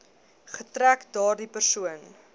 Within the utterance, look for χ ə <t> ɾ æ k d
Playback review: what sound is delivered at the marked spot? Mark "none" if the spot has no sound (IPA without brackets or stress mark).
t